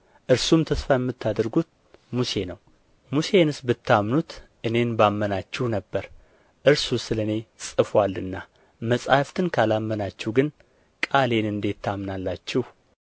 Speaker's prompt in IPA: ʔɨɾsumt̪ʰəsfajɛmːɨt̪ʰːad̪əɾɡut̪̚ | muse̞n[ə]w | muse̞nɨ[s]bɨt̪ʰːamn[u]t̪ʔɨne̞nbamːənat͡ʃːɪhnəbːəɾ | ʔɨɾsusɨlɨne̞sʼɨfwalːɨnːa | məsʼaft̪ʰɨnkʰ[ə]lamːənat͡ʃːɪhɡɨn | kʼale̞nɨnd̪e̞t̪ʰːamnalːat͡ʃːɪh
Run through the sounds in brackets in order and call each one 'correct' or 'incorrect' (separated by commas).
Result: correct, correct, correct, incorrect